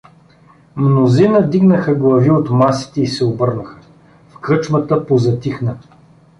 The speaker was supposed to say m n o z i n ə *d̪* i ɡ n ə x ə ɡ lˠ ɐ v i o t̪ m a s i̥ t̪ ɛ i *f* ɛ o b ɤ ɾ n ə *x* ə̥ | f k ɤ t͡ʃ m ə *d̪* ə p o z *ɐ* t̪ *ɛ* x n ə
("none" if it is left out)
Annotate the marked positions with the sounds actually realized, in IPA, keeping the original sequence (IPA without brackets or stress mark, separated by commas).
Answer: d̪, s, x, t̪, ɐ, i